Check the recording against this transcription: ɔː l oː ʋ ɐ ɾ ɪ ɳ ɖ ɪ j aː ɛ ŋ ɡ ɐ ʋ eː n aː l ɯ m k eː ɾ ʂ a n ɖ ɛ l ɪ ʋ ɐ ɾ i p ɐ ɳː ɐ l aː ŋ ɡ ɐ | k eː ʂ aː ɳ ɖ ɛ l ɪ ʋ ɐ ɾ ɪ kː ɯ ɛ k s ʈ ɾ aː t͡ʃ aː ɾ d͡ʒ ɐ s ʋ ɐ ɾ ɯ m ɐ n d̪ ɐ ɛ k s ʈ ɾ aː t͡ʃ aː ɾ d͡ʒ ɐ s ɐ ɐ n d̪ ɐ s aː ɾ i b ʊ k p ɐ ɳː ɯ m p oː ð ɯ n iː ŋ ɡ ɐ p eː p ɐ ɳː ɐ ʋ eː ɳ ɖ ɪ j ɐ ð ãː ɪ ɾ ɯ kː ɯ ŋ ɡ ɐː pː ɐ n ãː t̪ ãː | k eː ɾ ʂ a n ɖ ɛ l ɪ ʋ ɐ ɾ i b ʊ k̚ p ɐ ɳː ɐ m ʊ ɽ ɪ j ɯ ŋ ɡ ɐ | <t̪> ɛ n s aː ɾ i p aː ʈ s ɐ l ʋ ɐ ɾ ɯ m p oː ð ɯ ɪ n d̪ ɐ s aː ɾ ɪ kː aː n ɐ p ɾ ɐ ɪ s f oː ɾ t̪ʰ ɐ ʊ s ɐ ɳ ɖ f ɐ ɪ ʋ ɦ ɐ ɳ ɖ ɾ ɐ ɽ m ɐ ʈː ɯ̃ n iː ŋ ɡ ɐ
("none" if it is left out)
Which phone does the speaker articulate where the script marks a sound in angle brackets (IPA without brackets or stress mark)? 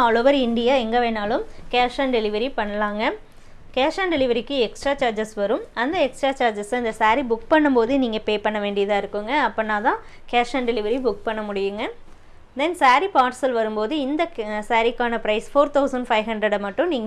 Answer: d̪